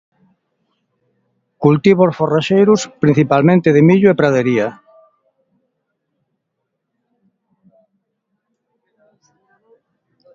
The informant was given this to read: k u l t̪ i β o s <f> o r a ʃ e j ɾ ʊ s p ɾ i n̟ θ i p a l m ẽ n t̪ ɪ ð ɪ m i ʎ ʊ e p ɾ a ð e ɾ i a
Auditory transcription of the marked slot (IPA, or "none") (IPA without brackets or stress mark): f